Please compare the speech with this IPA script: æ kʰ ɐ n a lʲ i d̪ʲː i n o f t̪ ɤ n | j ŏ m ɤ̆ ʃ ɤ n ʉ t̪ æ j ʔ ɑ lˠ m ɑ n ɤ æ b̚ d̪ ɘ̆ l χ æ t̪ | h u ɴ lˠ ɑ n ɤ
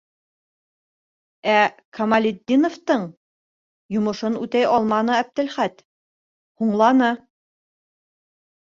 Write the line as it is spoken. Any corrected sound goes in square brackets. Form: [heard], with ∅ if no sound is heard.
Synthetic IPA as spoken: æ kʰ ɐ [m] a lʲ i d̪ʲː i n o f t̪ ɤ [ɴ] | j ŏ m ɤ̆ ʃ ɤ n ʉ t̪ æ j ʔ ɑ lˠ m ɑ n ɤ æ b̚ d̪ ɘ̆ l χ æ t̪ | h u ɴ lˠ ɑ n ɤ